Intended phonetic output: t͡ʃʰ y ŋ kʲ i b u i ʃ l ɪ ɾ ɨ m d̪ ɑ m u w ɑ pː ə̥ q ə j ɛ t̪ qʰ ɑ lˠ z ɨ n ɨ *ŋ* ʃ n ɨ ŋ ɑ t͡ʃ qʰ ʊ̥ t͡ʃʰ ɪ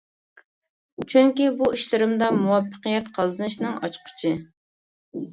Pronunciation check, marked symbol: incorrect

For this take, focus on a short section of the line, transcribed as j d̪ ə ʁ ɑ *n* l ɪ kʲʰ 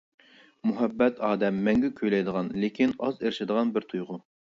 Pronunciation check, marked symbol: correct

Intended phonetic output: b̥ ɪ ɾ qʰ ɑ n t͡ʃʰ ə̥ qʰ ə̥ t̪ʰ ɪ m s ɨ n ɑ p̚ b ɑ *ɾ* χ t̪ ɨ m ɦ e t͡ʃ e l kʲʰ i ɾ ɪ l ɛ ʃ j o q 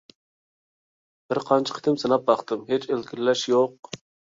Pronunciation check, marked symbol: incorrect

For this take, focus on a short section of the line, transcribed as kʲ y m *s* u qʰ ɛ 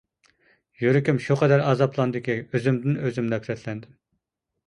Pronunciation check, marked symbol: incorrect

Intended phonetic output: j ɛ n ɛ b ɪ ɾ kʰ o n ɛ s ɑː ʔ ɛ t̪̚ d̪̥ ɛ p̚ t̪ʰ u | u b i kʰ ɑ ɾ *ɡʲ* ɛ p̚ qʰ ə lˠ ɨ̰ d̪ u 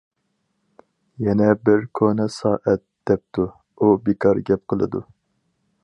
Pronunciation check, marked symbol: correct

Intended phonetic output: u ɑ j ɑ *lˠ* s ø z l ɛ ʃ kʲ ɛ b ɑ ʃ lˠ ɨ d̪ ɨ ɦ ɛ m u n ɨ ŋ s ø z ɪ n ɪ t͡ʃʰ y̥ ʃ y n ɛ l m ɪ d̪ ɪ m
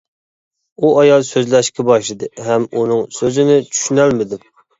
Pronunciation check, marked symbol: correct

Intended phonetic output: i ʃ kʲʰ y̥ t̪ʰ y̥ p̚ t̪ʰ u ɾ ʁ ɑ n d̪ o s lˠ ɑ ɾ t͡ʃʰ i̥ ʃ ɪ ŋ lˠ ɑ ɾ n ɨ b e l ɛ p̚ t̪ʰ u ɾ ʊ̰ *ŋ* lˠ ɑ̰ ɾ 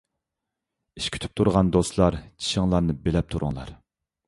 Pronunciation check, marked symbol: correct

